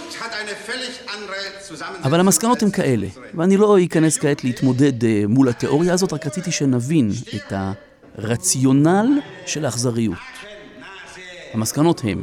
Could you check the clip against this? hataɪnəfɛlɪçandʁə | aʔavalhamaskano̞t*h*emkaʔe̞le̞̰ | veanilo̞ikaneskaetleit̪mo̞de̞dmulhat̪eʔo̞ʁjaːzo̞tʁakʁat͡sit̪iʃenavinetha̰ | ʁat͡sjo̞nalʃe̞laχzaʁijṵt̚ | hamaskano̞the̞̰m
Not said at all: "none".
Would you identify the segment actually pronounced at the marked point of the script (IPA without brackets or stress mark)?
h